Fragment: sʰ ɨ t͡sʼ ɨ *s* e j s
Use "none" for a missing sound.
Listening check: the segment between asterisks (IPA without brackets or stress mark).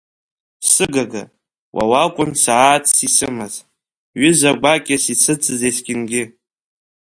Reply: z